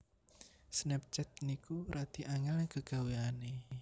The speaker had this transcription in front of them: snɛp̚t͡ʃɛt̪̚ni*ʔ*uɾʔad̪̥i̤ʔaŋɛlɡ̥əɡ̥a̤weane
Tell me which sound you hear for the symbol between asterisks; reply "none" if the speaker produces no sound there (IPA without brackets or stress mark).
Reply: k